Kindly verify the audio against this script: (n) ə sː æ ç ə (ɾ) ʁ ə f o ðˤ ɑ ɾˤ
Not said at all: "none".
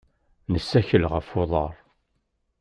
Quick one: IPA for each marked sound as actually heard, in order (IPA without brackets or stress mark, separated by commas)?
n, l